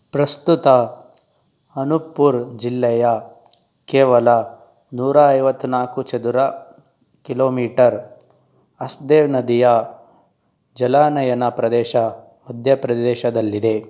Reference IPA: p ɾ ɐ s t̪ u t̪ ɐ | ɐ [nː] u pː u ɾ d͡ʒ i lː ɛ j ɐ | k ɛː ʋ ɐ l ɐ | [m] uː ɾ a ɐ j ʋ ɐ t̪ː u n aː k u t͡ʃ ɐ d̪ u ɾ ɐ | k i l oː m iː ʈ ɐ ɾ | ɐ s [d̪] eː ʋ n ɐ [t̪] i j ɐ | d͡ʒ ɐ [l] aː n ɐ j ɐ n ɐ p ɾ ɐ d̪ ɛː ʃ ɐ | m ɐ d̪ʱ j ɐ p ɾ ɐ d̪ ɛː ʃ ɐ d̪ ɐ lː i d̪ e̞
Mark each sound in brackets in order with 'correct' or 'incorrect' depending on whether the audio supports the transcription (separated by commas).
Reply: incorrect, incorrect, correct, incorrect, correct